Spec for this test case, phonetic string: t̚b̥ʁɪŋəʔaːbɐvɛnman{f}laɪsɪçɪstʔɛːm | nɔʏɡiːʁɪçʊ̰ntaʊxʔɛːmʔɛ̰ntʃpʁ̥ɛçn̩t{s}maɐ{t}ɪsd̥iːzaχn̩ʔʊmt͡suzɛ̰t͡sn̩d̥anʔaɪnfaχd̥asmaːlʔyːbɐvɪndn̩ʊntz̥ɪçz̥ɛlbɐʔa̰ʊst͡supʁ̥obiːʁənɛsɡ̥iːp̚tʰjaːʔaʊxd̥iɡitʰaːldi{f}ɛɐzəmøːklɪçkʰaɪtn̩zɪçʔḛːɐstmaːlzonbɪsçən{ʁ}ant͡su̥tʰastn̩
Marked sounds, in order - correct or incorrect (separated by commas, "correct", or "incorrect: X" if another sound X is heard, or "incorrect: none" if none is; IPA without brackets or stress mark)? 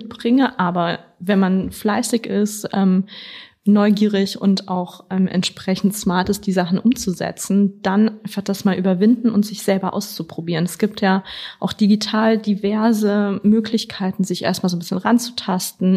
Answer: correct, correct, correct, incorrect: v, correct